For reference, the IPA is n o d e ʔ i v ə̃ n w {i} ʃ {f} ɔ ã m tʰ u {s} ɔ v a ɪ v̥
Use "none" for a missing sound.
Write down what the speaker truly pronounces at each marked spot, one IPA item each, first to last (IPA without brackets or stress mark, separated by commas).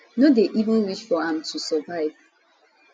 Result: i, f, s